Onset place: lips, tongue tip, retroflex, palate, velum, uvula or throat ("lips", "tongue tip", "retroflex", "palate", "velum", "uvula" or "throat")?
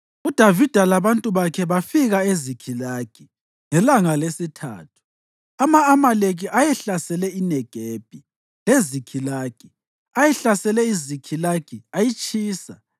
tongue tip